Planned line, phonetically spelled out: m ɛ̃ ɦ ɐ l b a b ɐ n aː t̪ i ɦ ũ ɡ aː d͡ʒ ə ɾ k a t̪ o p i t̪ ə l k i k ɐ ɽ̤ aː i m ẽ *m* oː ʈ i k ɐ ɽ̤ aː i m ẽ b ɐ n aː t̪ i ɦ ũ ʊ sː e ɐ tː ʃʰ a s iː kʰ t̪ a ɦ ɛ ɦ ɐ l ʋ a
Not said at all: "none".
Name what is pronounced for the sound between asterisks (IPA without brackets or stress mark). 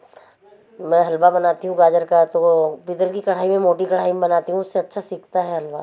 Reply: m